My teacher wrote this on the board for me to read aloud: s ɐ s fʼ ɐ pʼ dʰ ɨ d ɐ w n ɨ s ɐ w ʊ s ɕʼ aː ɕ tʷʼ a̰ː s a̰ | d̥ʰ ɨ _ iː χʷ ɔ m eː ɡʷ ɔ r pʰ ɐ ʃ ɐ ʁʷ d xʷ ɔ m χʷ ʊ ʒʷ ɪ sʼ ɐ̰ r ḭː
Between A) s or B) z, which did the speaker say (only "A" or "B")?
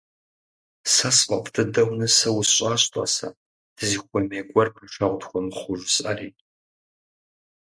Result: B